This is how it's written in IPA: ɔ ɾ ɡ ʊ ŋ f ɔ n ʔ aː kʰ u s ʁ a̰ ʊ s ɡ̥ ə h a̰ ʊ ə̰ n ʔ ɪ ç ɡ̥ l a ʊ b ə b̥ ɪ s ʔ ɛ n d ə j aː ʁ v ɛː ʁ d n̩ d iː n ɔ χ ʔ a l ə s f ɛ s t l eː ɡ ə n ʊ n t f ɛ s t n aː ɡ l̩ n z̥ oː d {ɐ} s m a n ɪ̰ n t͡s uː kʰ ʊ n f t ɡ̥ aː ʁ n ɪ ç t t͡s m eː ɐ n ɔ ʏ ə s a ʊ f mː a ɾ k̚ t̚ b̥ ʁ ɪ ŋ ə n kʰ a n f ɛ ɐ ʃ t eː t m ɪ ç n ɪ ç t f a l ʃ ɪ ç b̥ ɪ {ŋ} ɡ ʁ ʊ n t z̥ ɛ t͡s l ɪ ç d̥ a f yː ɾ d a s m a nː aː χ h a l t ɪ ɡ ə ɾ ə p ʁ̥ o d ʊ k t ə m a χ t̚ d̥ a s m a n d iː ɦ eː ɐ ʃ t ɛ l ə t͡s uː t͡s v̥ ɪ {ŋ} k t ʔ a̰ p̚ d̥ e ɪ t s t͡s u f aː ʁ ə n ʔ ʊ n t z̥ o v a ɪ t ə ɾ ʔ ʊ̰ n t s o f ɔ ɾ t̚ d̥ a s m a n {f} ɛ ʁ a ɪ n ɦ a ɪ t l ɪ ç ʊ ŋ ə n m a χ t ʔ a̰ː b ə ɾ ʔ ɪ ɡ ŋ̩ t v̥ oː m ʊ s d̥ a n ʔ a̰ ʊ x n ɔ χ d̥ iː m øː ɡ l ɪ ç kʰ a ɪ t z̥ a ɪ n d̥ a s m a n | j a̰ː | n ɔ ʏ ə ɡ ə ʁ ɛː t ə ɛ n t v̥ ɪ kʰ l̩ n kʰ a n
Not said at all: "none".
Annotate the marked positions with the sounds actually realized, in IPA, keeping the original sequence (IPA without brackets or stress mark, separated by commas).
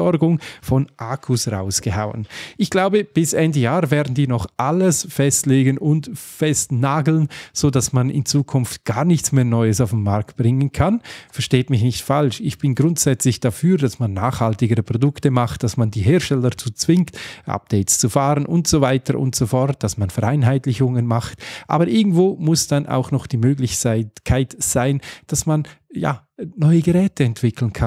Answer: a, n, ŋ, f